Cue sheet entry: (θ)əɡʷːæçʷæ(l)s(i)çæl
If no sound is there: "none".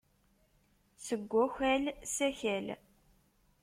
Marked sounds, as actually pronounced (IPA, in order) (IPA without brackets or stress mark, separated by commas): s, l, æ